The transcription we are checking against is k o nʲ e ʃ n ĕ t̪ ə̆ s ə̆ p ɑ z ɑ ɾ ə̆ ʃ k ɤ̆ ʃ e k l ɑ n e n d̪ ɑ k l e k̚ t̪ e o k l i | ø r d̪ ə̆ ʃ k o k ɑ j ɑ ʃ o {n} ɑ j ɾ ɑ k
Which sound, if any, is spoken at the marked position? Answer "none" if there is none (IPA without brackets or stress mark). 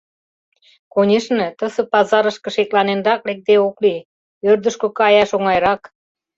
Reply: ŋ